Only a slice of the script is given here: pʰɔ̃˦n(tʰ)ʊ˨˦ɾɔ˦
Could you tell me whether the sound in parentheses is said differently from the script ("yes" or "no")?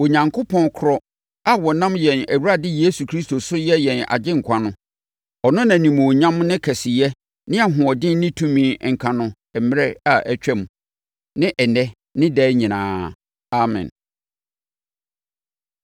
yes